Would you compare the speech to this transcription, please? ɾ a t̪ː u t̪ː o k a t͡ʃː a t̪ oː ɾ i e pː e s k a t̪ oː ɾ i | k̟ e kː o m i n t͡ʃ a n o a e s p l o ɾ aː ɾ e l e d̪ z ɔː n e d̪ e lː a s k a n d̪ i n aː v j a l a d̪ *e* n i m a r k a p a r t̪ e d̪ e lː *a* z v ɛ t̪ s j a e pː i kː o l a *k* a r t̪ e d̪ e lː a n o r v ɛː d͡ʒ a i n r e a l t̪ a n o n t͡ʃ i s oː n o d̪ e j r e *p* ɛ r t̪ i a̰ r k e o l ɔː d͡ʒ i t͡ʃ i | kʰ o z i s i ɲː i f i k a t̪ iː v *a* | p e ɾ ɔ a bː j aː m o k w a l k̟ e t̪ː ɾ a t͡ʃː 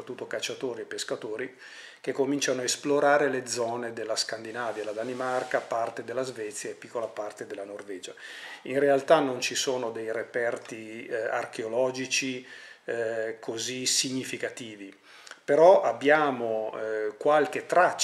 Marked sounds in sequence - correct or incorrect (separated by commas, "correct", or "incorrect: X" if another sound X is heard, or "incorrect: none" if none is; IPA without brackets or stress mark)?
incorrect: a, correct, incorrect: p, correct, incorrect: i